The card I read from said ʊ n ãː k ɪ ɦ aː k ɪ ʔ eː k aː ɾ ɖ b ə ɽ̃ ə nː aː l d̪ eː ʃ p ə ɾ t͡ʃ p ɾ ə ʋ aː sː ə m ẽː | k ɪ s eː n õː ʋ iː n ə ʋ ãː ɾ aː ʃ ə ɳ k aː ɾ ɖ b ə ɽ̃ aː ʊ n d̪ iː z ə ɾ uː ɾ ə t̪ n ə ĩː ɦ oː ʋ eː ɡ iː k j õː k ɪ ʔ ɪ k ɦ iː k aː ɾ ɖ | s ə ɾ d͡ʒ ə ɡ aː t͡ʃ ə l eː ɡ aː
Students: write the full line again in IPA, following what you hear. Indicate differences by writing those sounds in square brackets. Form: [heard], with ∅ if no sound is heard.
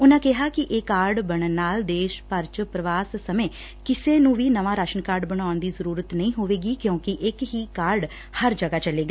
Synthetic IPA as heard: ʊ n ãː k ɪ ɦ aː k ɪ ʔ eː k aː ɾ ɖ b ə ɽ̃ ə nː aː l d̪ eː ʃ p ə ɾ t͡ʃ p ɾ ə ʋ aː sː ə m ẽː | k ɪ s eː n [ũː] ʋ iː n ə ʋ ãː ɾ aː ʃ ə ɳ k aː ɾ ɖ b ə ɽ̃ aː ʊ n d̪ iː z ə ɾ uː ɾ ə t̪ n ə ĩː ɦ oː ʋ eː ɡ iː k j õː k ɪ ʔ ɪ k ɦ iː k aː ɾ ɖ | [h] ə ɾ d͡ʒ ə ɡ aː t͡ʃ ə l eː ɡ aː